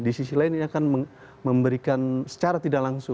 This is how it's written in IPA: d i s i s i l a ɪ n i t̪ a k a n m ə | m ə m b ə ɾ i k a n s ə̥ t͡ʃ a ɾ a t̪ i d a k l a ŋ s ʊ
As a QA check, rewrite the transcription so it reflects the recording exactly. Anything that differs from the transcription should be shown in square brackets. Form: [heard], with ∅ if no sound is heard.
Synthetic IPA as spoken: d i s i s i l a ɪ n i [∅] a k a n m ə | m ə m b ə ɾ i k a n s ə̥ t͡ʃ a ɾ a t̪ i d a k l a ŋ s ʊ

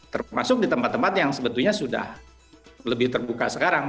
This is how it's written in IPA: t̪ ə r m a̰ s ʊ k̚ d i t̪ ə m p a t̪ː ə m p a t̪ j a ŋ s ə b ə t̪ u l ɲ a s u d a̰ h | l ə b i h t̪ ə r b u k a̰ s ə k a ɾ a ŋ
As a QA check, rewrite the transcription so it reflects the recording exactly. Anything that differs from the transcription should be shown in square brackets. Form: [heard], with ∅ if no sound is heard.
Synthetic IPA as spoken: t̪ ə r m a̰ s ʊ k̚ d i t̪ ə m p a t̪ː ə m p a t̪ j a ŋ s ə b ə t̪ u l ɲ a s u d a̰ h | l ə b [ɪ] h t̪ ə r b u k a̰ s ə k a ɾ a ŋ

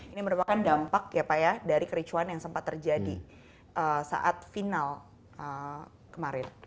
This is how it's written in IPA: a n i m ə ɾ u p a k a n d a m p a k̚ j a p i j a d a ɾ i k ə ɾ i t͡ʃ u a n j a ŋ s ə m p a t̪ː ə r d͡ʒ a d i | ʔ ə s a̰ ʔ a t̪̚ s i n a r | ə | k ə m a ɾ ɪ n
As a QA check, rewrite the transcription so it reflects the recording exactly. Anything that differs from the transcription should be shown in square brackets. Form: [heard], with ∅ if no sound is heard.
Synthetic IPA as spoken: [i] n i m ə ɾ u p a k a n d a m p a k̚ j a p [a] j a d a ɾ i k ə ɾ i t͡ʃ u a n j a ŋ s ə m p a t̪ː ə r d͡ʒ a d i | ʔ ə s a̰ ʔ a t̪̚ [f] i n a [l] | ə | k ə m a ɾ ɪ n

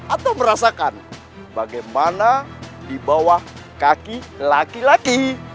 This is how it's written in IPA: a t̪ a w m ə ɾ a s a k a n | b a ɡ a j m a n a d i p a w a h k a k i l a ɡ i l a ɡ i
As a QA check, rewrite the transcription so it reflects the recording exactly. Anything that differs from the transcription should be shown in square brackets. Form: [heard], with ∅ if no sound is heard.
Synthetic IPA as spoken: a t̪ a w m ə ɾ a s a k a n | b a ɡ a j m a n a d i [b] a w a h k a k i l a [k] i l a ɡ i

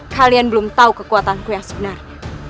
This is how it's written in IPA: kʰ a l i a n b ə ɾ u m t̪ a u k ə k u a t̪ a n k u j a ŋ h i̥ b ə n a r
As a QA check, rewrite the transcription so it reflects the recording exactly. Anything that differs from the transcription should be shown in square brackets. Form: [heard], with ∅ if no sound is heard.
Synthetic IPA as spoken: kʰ a l i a n b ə [l] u m t̪ a u k ə k u a t̪ a n k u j a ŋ [s] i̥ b ə n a r

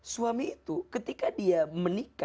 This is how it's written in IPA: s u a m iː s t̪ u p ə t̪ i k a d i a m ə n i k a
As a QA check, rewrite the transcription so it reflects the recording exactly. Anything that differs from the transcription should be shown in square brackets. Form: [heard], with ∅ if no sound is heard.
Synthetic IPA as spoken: s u a m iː [∅] t̪ u [k] ə t̪ i k a d i a m ə n i k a

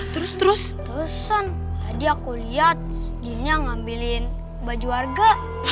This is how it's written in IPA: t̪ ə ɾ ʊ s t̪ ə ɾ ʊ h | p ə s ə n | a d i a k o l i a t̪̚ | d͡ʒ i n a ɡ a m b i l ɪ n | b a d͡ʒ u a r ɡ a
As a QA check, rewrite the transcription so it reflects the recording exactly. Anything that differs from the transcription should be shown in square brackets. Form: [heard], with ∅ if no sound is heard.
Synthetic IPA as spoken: t̪ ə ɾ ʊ s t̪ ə ɾ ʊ [s] | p ə s ə n | a d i a k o l i a t̪̚ | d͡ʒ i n a [ŋ] a m b i l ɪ n | b a d͡ʒ u a r ɡ a

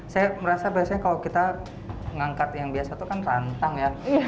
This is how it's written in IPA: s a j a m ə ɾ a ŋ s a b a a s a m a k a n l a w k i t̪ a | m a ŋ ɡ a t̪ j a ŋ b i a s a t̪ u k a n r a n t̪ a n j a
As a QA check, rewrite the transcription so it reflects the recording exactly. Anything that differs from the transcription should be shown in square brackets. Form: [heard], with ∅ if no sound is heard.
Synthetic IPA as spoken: s a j a m ə ɾ a [∅] s a b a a s a [ɲ] a k a [∅] l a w k i t̪ a | [ŋ] a ŋ [k] a t̪ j a ŋ b i a s a t̪ u k a n r a n t̪ a [ŋ] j a

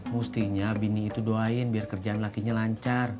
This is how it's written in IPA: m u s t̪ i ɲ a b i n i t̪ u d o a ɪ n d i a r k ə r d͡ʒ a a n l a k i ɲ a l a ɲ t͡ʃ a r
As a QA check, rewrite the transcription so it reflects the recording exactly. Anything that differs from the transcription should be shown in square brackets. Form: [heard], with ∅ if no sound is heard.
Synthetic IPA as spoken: m u s t̪ i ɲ a b i n [iː] t̪ u d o a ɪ n [b] i a r k ə r d͡ʒ a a n l a k i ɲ a l a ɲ t͡ʃ a r

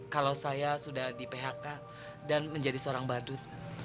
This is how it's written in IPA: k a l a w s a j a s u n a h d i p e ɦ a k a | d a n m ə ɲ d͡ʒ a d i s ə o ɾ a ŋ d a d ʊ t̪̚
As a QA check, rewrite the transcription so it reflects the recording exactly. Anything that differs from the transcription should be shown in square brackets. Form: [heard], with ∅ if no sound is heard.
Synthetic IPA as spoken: k a l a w s a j a s u [d] a h d i p e ɦ a k a | d a n m ə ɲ d͡ʒ a d i s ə o ɾ a ŋ [b] a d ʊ t̪̚

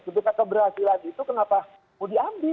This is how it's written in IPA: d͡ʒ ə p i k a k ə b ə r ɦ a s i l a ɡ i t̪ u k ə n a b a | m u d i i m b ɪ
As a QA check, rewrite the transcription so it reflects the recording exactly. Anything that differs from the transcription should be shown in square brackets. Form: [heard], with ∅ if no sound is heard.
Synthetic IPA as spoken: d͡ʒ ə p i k a k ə b ə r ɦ a s i l a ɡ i t̪ u k ə n a [p] a | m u d i [a] m b ɪ

